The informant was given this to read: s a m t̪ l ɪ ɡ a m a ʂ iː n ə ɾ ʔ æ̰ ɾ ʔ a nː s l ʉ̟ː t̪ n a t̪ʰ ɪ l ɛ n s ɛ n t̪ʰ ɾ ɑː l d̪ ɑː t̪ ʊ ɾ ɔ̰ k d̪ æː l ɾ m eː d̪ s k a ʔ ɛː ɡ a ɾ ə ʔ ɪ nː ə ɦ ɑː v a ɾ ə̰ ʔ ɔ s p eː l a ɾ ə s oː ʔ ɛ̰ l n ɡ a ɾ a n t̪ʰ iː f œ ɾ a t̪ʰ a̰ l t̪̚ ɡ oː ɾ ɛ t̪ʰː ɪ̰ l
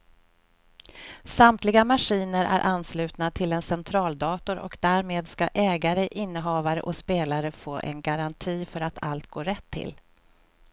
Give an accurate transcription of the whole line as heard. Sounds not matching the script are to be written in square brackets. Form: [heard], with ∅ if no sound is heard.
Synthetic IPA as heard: s a m t̪ l ɪ ɡ a m a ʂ iː n ə ɾ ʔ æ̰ ɾ ʔ a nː s l ʉ̟ː t̪ n a t̪ʰ ɪ l ɛ n s ɛ n t̪ʰ ɾ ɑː l d̪ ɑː t̪ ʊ ɾ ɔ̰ k d̪ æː [∅] ɾ m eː d̪ s k a ʔ ɛː ɡ a ɾ ə ʔ ɪ nː ə ɦ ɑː v a ɾ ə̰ ʔ ɔ s p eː l a ɾ ə [f] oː ʔ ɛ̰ [∅] n ɡ a ɾ a n t̪ʰ iː f œ ɾ a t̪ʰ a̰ l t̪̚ ɡ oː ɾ ɛ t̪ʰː ɪ̰ l